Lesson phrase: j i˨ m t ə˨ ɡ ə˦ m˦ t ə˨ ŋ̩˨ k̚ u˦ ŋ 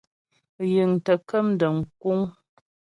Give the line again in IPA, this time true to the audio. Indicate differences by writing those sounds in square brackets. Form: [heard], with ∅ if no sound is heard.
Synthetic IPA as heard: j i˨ [ŋ] t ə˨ [k] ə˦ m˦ [d] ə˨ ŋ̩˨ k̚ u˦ ŋ